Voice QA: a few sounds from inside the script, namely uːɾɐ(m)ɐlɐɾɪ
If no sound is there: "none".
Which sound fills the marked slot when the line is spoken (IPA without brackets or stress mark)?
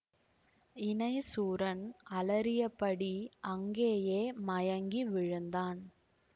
n